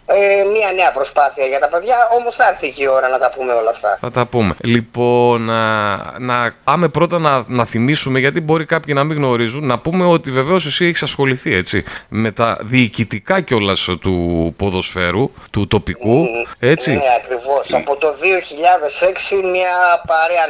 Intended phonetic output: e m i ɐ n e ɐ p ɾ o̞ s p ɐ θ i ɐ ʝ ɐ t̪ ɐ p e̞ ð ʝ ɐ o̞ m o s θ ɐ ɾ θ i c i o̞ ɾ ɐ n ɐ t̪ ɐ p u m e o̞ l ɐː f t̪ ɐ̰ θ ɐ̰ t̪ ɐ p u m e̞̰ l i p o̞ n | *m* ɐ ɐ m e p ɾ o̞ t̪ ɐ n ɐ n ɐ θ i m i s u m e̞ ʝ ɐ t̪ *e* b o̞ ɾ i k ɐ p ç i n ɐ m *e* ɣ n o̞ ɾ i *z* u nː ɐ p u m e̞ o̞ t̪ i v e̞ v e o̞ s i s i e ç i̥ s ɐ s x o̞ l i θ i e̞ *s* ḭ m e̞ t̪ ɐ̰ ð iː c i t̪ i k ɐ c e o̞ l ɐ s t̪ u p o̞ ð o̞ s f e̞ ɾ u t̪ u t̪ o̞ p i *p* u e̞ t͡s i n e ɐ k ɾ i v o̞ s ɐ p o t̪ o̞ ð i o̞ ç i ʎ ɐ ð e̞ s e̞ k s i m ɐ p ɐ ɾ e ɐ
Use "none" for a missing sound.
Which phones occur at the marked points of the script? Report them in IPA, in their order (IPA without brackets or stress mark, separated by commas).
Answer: n, i, i, z, t͡s, k